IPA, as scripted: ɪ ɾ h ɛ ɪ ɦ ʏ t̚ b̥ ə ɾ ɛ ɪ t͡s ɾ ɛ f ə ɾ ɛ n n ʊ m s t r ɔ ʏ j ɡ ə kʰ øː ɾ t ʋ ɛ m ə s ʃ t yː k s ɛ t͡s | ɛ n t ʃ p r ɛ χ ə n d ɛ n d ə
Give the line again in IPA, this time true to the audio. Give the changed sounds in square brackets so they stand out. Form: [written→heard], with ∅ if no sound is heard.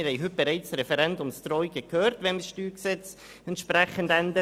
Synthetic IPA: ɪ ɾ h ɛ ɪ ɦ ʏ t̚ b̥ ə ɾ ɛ ɪ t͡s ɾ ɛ f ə ɾ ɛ n [n→d] ʊ m s t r ɔ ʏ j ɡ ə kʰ øː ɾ t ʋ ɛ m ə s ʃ t yː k s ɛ t͡s | ɛ n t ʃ p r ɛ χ ə n d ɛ n d ə